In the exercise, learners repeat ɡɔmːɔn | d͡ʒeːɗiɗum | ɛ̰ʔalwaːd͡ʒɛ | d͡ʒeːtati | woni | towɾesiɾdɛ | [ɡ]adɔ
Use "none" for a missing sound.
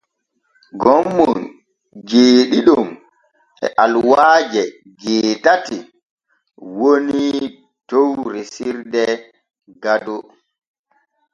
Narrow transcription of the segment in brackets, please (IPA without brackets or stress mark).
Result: ɡ